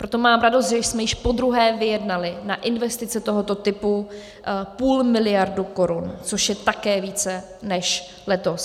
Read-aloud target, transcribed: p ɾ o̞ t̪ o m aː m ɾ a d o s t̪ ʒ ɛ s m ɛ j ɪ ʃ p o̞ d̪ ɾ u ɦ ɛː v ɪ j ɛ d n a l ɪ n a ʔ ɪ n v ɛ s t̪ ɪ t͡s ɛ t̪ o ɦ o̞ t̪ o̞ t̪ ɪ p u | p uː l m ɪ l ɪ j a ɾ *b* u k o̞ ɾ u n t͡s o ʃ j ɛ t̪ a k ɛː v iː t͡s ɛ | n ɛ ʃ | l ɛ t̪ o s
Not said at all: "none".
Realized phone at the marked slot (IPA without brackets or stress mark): d